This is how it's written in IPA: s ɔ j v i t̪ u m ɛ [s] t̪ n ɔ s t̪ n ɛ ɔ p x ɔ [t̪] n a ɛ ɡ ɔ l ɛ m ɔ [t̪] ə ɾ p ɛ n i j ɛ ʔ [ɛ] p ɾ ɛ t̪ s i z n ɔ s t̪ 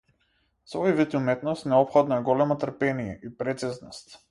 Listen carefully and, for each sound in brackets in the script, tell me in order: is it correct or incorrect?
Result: incorrect: none, incorrect: d̪, correct, incorrect: i

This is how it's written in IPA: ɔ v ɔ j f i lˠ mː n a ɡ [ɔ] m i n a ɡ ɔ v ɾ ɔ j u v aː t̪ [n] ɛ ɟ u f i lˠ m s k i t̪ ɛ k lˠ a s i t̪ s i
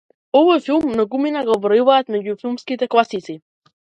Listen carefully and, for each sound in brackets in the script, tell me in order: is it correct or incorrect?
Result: incorrect: u, incorrect: m

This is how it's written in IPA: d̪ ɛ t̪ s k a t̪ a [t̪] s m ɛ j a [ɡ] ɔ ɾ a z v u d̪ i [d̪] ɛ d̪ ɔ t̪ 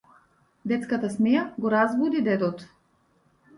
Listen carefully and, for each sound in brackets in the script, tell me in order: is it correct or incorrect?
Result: incorrect: none, correct, correct

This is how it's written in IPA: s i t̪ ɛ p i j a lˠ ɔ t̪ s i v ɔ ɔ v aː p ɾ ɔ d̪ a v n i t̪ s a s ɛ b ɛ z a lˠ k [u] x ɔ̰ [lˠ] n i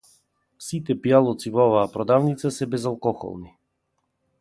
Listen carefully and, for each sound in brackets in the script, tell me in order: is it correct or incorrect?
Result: incorrect: ɔ, correct

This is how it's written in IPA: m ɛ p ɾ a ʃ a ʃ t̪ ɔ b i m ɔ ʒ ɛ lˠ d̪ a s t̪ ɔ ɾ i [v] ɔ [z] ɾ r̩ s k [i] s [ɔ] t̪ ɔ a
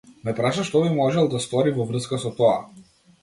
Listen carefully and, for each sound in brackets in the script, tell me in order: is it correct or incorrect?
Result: correct, incorrect: v, incorrect: a, correct

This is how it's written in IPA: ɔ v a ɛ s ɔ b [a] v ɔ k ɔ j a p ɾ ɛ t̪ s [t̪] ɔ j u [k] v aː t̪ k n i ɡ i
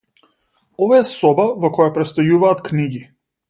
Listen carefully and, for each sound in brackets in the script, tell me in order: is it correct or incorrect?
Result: correct, correct, incorrect: none

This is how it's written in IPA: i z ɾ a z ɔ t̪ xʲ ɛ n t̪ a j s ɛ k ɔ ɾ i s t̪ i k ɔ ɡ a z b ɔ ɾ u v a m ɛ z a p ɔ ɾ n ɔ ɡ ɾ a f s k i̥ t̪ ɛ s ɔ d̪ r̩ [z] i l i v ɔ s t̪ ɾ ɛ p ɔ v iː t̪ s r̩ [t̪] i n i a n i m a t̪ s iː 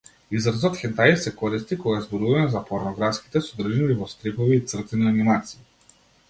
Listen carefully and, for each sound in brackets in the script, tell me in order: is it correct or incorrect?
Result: incorrect: ʒ, correct

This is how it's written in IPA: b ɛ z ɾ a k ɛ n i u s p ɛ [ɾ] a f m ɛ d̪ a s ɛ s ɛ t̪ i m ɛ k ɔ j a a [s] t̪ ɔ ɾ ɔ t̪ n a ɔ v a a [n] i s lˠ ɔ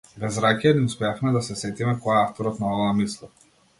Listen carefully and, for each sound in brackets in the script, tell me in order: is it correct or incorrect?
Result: incorrect: none, incorrect: f, incorrect: m

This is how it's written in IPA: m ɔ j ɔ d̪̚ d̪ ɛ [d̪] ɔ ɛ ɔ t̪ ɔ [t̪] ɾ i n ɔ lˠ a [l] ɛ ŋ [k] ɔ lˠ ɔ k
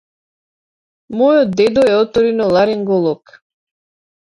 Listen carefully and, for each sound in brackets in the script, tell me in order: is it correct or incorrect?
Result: correct, incorrect: none, incorrect: ɾ, incorrect: ɡ

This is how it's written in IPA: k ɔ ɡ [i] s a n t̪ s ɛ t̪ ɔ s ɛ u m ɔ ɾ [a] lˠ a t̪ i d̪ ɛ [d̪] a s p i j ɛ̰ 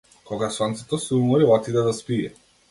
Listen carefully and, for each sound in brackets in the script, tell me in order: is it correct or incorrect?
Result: incorrect: a, incorrect: i, correct

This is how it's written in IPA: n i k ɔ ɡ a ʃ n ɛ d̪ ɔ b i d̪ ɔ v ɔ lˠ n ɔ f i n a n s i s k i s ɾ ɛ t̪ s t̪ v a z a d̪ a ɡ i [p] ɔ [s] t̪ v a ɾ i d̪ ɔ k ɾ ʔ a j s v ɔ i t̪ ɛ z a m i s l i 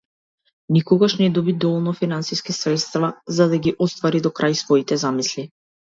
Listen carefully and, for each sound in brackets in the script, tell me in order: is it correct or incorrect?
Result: incorrect: ʔ, correct

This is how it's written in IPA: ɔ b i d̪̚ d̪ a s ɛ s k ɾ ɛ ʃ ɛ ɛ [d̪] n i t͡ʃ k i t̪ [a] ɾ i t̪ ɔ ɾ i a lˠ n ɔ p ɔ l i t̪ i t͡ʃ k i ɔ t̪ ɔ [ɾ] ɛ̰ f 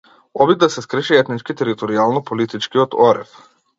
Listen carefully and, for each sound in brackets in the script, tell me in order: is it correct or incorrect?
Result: incorrect: t̪, incorrect: ɛ, correct

